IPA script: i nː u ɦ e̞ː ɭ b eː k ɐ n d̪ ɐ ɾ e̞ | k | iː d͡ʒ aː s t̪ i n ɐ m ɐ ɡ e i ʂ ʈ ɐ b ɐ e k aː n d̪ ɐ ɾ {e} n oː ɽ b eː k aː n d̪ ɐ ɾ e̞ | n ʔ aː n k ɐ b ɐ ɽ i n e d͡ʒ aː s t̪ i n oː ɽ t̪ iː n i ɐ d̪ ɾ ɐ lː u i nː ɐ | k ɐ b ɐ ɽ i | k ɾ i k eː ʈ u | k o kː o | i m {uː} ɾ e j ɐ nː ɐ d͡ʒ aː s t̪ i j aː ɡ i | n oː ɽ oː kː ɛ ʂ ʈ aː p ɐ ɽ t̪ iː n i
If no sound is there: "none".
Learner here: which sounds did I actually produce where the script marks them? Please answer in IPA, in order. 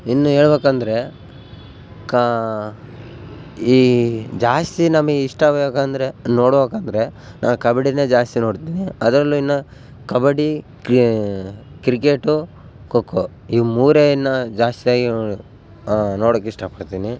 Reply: e, uː

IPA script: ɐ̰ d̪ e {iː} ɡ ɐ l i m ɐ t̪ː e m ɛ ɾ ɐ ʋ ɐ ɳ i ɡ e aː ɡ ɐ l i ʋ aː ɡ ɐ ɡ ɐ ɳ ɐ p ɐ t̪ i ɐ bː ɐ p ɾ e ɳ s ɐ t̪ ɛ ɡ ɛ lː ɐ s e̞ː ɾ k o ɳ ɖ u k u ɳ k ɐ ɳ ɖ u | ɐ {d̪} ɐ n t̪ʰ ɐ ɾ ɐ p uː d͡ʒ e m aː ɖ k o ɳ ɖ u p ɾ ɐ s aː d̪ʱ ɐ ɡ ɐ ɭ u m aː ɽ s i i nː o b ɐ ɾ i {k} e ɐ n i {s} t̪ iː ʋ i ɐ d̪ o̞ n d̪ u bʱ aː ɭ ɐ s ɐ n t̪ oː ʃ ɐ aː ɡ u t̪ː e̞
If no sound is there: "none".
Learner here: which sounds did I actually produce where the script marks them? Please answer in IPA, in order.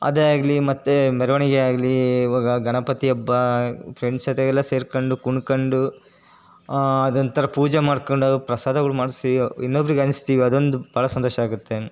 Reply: aː, d̪, ɡ, s

